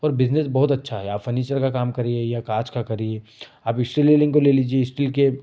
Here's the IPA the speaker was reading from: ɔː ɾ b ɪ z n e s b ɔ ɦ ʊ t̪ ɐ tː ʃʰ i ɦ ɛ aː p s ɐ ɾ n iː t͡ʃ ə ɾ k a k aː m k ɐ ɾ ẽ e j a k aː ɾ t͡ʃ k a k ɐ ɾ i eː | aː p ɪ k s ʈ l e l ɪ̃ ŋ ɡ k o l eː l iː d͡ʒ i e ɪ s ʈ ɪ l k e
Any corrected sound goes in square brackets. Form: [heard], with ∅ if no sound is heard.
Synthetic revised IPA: ɔː ɾ b ɪ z n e s b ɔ ɦ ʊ t̪ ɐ tː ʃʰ [a] ɦ ɛ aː p [f] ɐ ɾ n iː t͡ʃ ə ɾ k a k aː m k ɐ ɾ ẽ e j a k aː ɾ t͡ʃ k a k ɐ ɾ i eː | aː p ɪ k s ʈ l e l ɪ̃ ŋ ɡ k o l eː l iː d͡ʒ i e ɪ s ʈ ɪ l k e